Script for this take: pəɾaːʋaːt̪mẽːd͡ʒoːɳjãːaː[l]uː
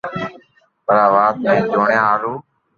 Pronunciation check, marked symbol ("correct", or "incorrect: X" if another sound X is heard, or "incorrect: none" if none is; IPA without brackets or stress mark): incorrect: ɾ